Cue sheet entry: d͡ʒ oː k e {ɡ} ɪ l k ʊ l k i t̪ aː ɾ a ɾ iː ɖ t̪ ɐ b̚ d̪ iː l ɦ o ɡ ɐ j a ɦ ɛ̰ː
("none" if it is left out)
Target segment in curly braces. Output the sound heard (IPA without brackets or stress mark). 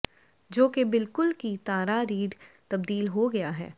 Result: b